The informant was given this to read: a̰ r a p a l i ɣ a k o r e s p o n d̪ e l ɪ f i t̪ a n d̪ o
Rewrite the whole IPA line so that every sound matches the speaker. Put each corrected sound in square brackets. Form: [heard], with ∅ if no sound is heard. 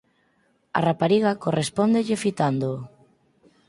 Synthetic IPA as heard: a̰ r a p a [ɾ] i ɣ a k o r e s p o n d̪ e [ʎ] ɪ f i t̪ a n d̪ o